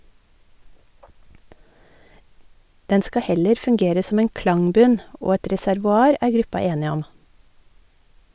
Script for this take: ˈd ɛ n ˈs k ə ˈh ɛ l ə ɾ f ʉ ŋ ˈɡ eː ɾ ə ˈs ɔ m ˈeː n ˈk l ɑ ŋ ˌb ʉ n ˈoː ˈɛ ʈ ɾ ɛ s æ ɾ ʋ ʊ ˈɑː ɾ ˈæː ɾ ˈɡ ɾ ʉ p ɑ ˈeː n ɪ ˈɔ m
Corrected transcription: ˈd ɛ n ˈs k ɑ ˈh ɛ l ə ɾ f ʉ ŋ ˈɡ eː ɾ ə ˈs ɔ m ˈeː n ˈk l ɑ ŋ ˌb ʉ n ˈoː ˈɛ ʈ ɾ ɛ s æ ɾ ʋ ʊ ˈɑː ɾ ˈæː ɾ ˈɡ ɾ ʉ p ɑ ˈeː n ɪ ˈɔ m